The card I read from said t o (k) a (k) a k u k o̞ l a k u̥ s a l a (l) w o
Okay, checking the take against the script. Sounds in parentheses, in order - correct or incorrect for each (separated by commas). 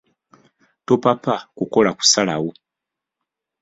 incorrect, incorrect, incorrect